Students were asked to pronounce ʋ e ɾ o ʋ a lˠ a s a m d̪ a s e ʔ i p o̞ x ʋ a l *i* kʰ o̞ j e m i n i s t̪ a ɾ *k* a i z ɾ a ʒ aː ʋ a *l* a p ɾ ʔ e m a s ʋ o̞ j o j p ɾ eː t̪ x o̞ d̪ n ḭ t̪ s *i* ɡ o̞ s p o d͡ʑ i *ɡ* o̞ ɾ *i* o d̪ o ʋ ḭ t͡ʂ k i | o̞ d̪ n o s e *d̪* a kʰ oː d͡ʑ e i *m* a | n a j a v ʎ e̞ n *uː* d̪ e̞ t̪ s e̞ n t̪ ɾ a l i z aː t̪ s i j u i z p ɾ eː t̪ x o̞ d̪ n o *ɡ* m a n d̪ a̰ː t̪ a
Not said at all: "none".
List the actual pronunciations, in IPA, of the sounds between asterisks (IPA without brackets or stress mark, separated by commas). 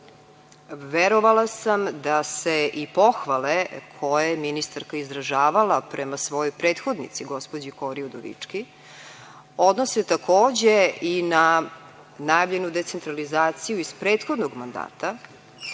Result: e, k, l, i, k, i, t̪, n, u, ɡ